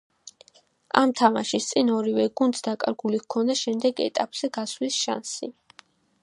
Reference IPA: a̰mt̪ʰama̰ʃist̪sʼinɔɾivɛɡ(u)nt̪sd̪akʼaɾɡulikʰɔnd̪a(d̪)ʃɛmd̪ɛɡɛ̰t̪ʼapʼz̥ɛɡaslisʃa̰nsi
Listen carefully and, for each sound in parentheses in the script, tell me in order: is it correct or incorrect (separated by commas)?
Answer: correct, incorrect